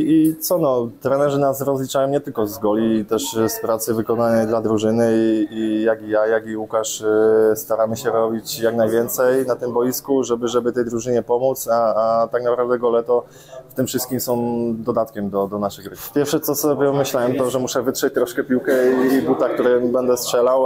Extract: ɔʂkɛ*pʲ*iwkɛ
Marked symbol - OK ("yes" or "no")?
yes